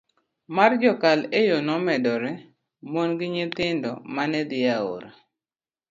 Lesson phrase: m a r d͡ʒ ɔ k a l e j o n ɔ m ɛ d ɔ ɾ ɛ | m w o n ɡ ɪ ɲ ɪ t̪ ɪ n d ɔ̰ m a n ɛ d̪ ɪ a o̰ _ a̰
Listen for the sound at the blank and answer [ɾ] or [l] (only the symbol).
ɾ